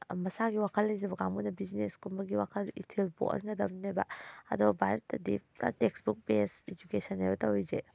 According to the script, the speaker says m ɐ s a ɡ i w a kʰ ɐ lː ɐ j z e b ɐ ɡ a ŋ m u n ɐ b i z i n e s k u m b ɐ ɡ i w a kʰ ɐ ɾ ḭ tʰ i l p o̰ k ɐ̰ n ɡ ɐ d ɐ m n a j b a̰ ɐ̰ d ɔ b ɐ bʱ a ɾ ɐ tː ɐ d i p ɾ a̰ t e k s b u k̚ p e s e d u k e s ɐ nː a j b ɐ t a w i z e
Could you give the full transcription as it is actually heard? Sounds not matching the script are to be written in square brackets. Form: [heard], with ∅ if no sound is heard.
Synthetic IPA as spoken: m ɐ s a ɡ i w a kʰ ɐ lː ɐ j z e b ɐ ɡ a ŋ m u n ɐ b i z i n e s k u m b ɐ ɡ i w a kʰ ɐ [l] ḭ tʰ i l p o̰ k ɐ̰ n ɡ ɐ d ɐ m n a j b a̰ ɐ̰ d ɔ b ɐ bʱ a ɾ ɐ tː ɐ d i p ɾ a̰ t e k s b u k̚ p e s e [d͡ʒ] u k e s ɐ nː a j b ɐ t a w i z e